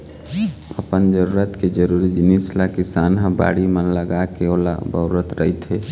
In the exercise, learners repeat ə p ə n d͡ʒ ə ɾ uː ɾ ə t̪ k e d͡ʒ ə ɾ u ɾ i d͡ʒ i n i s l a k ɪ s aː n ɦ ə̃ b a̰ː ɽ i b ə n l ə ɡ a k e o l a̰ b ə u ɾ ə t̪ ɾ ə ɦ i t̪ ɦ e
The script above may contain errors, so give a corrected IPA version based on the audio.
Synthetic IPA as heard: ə p ə n d͡ʒ ə ɾ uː ɾ ə t̪ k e d͡ʒ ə ɾ u ɾ i d͡ʒ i n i s l a k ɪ s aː n ɦ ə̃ b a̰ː ɽ i m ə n l ə ɡ a k e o l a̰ b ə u ɾ ə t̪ ɾ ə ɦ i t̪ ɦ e